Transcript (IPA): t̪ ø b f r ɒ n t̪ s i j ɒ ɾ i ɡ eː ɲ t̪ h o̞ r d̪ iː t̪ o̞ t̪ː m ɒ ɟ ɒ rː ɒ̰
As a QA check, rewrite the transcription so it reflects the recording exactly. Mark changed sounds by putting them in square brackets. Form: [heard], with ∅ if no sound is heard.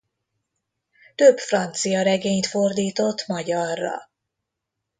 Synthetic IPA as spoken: t̪ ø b f r ɒ n t̪ s i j ɒ ɾ [ɛ] ɡ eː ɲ t̪ [f] o̞ r d̪ iː t̪ o̞ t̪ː m ɒ ɟ ɒ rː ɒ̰